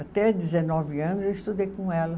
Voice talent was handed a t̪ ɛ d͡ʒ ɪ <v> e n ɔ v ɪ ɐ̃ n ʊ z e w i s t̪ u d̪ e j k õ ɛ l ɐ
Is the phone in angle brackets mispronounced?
yes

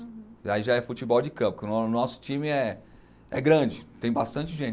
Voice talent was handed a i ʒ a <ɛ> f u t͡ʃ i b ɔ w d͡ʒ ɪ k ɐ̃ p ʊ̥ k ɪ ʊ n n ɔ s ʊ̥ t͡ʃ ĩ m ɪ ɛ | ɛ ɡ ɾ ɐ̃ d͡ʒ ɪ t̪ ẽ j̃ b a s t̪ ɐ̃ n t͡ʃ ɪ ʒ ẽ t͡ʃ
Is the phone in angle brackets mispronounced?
no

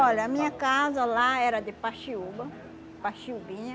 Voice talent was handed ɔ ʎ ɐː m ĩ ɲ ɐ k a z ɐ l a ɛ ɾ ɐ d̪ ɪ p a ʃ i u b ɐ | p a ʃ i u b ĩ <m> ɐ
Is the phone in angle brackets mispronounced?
yes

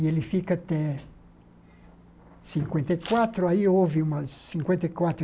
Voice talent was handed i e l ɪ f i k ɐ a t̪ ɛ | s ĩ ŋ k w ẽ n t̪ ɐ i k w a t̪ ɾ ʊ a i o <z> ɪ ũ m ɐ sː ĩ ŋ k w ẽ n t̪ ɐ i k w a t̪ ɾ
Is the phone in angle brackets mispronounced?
yes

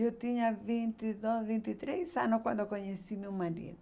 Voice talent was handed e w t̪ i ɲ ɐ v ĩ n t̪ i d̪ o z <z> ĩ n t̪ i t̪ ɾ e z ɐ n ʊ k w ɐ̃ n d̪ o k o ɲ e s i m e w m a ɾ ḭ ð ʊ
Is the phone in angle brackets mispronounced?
yes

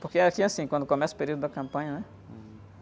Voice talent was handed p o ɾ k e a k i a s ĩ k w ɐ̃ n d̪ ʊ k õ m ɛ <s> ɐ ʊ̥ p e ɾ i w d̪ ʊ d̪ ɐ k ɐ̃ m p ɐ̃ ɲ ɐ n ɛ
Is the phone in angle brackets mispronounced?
no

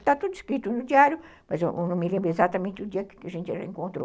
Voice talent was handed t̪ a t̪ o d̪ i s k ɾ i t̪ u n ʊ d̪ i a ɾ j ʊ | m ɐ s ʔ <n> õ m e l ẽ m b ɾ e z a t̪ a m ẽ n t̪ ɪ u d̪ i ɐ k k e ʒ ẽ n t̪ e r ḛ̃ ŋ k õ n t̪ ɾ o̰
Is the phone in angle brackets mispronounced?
no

